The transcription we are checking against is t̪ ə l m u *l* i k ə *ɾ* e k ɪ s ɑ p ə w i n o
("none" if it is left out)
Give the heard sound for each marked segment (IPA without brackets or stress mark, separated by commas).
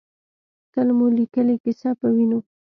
l, l